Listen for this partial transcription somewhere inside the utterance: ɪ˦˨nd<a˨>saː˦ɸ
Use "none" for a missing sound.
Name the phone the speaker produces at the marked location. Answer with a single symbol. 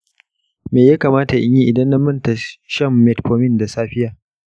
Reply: a˨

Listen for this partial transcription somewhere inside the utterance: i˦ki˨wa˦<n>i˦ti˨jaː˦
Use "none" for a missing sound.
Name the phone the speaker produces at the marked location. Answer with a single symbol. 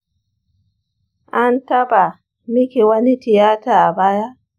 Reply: n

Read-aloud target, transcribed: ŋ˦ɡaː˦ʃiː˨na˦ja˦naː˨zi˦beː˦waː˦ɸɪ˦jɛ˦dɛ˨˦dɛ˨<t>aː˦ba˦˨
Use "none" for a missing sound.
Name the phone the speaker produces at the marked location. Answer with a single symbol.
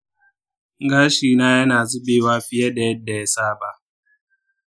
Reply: s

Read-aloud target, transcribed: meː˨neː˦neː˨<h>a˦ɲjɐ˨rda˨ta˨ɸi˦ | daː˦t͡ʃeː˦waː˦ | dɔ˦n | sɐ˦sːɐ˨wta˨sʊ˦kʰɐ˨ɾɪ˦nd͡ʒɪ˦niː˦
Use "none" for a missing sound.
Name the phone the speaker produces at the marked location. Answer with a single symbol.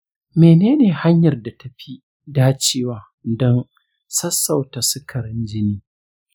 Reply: h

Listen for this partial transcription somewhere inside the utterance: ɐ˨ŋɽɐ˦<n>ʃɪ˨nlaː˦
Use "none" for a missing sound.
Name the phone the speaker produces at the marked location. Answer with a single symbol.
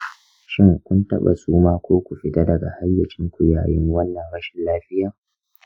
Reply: none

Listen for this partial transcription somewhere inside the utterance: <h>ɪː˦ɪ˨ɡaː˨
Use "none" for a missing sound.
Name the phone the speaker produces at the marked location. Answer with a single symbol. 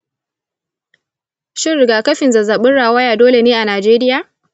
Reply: ʃ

